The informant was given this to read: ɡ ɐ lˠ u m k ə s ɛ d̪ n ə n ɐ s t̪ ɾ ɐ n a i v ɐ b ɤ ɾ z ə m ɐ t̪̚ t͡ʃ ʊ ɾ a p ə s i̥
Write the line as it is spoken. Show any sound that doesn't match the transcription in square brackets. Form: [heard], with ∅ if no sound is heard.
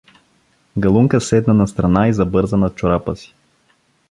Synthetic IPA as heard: ɡ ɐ lˠ u [ŋ] k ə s ɛ d̪ n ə n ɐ s t̪ ɾ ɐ n a i [z] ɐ b ɤ ɾ z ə [n] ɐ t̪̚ t͡ʃ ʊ ɾ a p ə s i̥